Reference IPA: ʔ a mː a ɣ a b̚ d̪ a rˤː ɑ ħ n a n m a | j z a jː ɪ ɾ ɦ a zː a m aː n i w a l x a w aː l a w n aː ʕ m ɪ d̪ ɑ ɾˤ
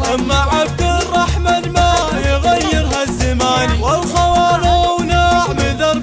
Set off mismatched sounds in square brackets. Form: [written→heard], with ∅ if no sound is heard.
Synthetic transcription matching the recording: ʔ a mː a [ɣ→ʕ] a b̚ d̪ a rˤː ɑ ħ [n→m] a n m a | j [z→ɣ] a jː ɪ ɾ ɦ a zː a m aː n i w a l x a w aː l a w n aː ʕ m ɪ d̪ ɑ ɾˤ